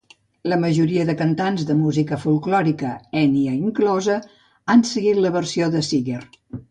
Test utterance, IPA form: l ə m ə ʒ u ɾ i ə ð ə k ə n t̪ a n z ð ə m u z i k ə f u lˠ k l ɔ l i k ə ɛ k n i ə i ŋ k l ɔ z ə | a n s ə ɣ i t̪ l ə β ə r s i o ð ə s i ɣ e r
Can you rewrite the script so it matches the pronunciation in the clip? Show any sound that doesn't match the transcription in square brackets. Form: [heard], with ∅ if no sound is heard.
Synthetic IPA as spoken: l ə m ə ʒ u ɾ i ə ð ə k ə n t̪ a n z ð ə m u z i k ə f u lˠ k l ɔ [ɾ] i k ə ɛ [∅] n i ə i ŋ k l ɔ z ə | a n s ə ɣ i t̪ l ə β ə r s i o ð ə s i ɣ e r